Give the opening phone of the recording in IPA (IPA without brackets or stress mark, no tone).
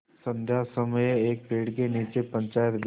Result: s